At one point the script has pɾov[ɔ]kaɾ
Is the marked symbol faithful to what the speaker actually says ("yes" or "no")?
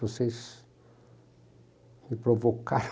no